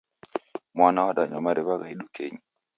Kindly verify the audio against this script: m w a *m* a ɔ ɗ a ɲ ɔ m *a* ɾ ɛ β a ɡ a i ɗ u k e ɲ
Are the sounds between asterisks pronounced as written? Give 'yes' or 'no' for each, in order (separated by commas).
no, yes